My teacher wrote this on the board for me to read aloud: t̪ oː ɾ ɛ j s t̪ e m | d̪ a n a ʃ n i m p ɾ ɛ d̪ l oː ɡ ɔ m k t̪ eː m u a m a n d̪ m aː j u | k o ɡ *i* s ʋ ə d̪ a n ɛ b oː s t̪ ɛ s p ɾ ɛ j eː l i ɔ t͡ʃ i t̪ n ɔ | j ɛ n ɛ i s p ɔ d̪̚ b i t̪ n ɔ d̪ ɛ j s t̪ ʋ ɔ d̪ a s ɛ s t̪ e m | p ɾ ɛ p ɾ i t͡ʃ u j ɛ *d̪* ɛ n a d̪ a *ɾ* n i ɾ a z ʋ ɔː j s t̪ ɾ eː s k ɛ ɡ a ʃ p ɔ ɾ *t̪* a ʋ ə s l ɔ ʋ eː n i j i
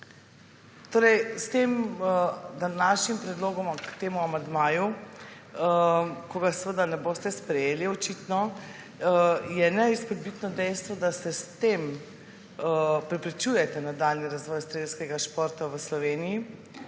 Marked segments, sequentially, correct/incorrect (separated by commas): incorrect, incorrect, incorrect, correct